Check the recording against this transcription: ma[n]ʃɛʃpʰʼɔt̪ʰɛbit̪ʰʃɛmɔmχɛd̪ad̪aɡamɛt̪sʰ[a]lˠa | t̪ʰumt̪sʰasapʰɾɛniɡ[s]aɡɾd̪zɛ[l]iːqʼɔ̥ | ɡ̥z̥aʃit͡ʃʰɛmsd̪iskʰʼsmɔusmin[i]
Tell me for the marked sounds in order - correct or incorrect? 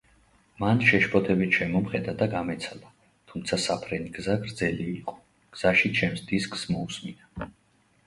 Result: correct, correct, incorrect, correct, incorrect

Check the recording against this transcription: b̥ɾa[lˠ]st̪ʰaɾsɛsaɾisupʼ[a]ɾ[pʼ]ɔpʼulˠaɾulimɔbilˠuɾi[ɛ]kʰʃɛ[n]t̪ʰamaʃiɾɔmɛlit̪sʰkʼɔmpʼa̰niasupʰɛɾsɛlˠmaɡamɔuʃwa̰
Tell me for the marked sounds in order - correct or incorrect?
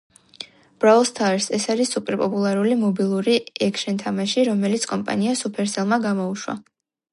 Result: correct, incorrect, correct, correct, correct

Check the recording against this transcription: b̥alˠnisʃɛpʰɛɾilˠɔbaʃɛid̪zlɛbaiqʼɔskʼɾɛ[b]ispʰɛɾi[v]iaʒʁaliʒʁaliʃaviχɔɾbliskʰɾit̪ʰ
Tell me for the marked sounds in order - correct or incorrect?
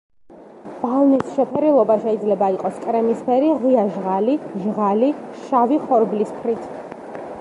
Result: incorrect, incorrect

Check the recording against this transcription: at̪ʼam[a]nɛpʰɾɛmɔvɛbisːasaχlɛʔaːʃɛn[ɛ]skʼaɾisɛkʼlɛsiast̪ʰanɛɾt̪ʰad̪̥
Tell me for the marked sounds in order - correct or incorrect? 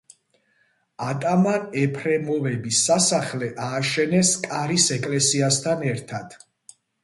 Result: correct, correct

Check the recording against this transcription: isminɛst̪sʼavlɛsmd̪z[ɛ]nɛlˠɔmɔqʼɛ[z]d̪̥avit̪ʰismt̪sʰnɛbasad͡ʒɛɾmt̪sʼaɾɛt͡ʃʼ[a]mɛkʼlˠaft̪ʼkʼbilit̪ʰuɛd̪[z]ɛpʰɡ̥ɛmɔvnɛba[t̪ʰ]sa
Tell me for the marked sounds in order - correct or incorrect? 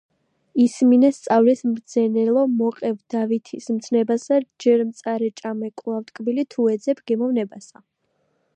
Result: correct, incorrect, correct, correct, incorrect

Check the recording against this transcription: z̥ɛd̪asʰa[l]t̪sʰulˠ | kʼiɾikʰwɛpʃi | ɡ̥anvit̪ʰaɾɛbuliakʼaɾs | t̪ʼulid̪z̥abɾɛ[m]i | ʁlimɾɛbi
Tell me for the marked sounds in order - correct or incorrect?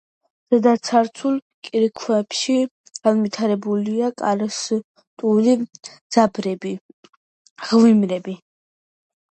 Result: incorrect, incorrect

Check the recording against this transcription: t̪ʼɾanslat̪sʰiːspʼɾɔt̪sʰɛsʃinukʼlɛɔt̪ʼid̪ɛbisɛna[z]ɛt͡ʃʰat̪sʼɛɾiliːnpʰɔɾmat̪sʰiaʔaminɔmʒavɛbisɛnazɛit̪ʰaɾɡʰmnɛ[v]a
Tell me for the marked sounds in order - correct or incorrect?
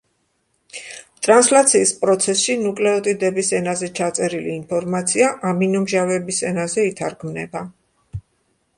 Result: correct, incorrect

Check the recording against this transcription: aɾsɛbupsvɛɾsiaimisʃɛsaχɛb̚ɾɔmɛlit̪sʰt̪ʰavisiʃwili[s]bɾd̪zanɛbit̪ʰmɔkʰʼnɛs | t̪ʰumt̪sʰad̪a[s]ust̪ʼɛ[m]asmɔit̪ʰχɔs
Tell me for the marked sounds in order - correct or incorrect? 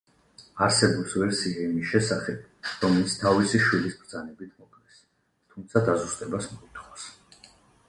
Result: correct, incorrect, incorrect

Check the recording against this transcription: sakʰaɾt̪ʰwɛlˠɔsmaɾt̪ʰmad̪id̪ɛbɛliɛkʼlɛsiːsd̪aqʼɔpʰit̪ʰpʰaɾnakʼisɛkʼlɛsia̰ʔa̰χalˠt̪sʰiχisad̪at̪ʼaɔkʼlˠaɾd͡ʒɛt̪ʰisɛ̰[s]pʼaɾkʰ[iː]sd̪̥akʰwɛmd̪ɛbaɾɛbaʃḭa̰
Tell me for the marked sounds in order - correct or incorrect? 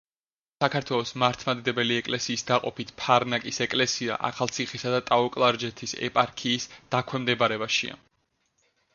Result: incorrect, correct

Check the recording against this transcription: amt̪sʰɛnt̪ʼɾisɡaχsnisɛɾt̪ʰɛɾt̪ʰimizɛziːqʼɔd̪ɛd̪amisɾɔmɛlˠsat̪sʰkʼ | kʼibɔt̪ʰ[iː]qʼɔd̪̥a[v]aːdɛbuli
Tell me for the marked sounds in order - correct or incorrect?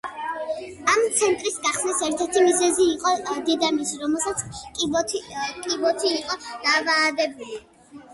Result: correct, correct

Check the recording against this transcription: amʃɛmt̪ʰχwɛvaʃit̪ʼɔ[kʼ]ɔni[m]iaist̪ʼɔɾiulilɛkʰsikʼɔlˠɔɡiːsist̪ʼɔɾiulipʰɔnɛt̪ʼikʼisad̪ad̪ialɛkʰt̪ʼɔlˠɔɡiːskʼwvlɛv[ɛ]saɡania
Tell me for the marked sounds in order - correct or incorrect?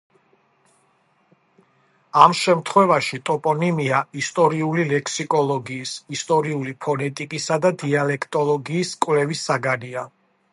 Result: incorrect, correct, incorrect

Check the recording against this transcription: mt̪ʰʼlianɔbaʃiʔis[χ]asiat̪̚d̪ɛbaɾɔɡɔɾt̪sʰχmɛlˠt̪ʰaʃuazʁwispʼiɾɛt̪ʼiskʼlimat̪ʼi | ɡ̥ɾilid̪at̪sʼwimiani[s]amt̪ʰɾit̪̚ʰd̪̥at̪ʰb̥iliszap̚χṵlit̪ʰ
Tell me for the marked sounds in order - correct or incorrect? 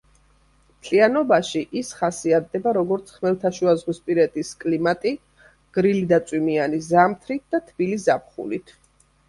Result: correct, incorrect

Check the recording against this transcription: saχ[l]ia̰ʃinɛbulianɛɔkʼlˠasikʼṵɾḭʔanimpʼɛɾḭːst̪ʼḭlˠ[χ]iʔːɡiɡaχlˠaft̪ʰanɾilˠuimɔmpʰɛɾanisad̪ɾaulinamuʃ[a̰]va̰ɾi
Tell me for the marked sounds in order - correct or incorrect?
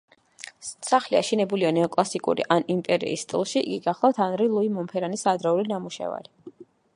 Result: correct, incorrect, incorrect

